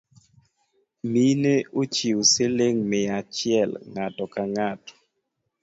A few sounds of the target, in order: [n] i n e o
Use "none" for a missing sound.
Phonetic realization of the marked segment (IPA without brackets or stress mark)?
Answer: m